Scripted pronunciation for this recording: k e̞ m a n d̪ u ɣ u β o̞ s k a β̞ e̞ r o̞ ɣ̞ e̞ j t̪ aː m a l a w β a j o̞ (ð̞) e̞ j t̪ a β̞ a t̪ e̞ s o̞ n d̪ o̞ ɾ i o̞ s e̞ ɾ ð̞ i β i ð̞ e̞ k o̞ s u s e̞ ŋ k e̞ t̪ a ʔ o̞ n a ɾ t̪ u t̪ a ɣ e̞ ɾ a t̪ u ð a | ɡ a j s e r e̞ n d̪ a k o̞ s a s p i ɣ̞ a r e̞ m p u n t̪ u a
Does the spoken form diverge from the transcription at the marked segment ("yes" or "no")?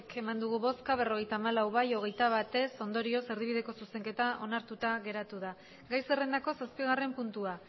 yes